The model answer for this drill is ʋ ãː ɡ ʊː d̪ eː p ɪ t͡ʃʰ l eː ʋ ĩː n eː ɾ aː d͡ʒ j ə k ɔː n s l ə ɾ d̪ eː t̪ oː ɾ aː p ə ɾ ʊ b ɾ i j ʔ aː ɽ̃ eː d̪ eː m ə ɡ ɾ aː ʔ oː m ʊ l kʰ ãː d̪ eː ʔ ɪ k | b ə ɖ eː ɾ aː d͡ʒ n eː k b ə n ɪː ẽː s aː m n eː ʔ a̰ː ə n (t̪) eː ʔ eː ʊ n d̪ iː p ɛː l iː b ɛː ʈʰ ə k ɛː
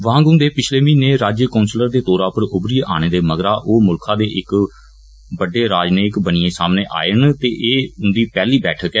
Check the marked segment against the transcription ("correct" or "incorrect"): correct